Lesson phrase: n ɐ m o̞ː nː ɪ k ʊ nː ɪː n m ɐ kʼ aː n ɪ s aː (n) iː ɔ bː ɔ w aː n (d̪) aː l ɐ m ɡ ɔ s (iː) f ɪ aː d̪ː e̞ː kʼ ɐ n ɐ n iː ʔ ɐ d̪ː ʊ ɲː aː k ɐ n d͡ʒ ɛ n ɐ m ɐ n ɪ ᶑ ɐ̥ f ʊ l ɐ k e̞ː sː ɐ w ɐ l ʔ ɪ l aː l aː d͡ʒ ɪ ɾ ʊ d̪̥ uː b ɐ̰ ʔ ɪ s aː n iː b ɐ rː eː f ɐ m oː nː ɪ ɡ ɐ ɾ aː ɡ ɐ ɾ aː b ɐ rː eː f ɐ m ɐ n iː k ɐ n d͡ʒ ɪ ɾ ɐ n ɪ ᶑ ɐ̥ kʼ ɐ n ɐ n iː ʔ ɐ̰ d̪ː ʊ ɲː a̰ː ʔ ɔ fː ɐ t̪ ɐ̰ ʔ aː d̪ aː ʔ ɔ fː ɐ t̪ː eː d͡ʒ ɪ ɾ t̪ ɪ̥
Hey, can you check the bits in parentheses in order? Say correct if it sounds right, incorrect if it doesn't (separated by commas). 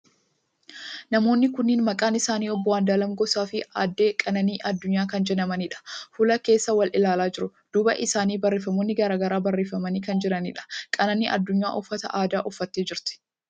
correct, correct, incorrect